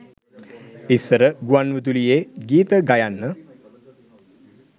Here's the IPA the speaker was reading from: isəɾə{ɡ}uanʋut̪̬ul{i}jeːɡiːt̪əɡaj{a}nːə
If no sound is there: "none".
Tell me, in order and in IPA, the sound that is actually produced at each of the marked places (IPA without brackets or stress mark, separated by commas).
ɡ, i, a